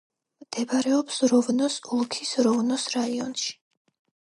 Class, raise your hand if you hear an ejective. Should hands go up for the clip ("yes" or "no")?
no